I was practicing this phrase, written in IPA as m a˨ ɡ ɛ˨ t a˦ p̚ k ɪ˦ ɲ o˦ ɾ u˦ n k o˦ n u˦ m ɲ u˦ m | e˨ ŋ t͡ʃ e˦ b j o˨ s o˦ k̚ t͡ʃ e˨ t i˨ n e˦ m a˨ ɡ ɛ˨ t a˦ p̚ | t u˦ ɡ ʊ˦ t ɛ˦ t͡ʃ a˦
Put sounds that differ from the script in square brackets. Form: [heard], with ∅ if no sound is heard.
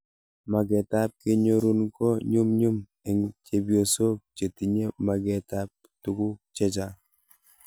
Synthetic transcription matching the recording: m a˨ ɡ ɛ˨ t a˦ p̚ k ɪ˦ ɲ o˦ ɾ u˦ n k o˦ [ɲ] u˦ m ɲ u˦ m | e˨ ŋ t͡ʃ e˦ b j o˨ s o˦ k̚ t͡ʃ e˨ t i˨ [ɲ] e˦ m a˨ ɡ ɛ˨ t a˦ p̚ | t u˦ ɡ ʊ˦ [t͡ʃ] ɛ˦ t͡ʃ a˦